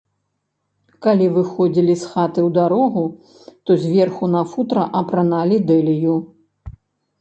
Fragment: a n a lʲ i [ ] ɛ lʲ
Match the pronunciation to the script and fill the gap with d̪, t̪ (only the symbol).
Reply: d̪